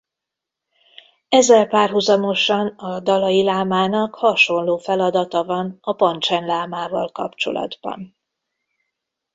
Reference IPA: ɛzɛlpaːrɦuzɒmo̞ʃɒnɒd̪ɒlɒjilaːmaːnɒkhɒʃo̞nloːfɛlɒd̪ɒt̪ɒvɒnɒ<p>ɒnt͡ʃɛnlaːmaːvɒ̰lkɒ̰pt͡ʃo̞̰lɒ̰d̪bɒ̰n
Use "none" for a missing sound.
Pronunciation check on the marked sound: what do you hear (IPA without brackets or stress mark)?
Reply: p